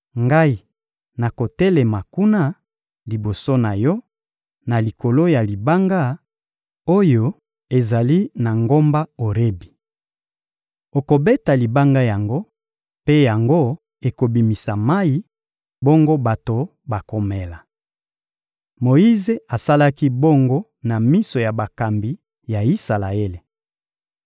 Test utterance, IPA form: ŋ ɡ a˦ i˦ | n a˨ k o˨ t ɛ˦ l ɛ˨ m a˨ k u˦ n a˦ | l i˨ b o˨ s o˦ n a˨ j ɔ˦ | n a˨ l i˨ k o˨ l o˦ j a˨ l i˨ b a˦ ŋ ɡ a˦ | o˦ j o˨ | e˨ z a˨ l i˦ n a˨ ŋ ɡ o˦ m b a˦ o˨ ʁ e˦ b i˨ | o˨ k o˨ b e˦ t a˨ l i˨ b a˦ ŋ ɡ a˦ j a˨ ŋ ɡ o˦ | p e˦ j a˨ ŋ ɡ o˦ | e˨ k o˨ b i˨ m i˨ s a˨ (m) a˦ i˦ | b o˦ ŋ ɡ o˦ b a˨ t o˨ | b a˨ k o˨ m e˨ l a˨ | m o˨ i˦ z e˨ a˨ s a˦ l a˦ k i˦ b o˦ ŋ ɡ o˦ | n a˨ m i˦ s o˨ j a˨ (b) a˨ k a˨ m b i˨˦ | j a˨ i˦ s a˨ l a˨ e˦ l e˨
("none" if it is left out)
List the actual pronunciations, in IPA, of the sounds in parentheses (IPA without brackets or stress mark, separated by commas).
m, b